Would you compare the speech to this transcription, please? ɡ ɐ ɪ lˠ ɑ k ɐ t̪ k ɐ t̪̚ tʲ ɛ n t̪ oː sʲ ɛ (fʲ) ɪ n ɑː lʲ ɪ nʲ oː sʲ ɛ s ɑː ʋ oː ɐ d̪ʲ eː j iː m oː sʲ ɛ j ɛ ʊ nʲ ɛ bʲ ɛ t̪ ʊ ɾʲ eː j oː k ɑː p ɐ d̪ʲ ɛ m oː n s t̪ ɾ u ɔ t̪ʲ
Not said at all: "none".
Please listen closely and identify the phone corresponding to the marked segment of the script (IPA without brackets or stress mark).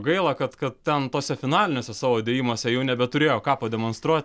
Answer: fʲ